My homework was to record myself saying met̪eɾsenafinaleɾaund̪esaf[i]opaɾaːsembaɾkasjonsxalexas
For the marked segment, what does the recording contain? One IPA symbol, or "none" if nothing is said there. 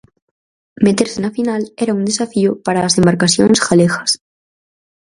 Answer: i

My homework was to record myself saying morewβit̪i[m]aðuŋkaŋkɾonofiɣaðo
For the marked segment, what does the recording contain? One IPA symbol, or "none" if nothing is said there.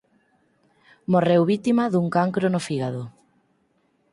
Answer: m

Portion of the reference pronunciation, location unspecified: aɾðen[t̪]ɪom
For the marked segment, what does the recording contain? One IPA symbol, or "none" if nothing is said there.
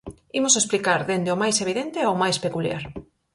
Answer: d̪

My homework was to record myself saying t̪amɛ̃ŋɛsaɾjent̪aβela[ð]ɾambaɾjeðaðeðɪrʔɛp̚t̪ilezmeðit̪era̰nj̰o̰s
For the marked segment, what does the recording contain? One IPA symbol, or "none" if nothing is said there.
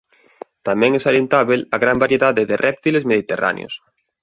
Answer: ɣ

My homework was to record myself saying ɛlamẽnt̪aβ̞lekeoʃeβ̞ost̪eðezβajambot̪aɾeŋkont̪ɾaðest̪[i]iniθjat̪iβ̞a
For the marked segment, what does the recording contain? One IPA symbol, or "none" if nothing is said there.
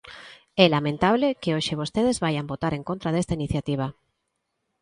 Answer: a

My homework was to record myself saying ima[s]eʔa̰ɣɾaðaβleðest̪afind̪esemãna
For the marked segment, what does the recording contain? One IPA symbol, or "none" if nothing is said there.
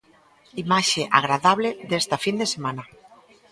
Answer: ʃ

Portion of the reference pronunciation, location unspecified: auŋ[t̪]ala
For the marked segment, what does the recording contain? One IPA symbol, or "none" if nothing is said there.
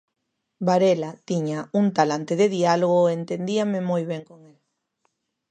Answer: t̪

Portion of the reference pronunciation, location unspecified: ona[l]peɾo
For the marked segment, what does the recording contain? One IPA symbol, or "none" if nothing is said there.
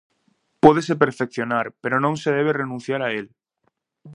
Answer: ɾ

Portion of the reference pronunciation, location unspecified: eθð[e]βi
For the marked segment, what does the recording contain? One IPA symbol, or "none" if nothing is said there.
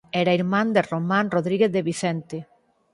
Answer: e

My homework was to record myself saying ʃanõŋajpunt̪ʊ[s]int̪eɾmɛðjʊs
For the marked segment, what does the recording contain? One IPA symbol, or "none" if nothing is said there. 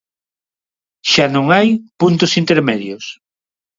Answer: s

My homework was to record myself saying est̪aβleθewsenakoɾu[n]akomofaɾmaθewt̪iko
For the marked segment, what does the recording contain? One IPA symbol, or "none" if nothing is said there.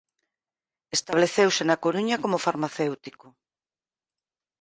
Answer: ɲ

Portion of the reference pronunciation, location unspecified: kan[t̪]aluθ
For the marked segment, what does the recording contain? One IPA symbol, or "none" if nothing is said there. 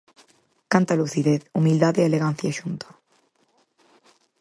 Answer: t̪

